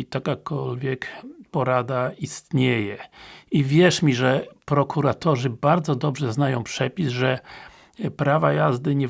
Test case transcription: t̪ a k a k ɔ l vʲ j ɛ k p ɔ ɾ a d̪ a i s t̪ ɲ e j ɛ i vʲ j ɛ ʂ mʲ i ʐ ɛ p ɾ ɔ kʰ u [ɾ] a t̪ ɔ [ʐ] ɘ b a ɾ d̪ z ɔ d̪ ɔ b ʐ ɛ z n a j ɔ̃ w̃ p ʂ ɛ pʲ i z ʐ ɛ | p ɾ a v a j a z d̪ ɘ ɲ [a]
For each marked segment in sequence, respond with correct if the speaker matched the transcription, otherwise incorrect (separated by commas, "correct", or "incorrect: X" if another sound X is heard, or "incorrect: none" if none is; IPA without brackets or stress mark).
correct, correct, incorrect: ɛ